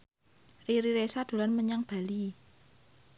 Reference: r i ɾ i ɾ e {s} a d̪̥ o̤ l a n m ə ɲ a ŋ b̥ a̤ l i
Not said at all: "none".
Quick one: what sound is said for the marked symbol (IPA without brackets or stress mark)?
s